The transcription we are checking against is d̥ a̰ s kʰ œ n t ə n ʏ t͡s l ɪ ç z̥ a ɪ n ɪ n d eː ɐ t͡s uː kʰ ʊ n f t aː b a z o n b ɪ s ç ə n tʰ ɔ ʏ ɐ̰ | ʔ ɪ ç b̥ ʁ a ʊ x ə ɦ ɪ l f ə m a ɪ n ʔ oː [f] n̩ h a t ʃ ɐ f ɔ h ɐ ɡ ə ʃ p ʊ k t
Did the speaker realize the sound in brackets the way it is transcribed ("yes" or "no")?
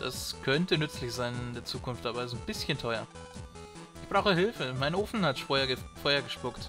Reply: yes